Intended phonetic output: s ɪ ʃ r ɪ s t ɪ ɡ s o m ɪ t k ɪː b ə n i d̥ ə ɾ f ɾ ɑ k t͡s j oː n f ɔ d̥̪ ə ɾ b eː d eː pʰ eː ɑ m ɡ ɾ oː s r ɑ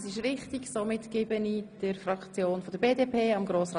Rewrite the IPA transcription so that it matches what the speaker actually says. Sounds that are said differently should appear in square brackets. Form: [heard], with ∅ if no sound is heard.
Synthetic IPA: s ɪ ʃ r ɪ [χ] t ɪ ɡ s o m ɪ t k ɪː b ə n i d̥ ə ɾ f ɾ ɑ k t͡s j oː n f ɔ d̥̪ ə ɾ b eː d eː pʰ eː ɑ m ɡ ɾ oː s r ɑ